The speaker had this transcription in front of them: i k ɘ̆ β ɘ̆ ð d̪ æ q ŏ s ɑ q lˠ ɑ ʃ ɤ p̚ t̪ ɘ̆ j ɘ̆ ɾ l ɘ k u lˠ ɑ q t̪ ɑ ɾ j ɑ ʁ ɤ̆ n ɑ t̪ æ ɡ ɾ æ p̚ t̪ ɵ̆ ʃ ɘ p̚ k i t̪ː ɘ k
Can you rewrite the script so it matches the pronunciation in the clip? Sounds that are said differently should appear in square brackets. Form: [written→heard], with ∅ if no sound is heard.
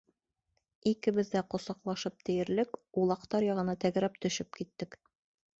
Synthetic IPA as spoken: i k ɘ̆ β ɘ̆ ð d̪ æ q ŏ s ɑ q lˠ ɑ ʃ ɤ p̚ t̪ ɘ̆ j ɘ̆ ɾ l ɘ k u lˠ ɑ q t̪ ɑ ɾ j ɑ ʁ ɤ̆ n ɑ t̪ æ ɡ ɾ æ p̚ t̪ ɵ̆ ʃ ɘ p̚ k i t̪ː ɘ k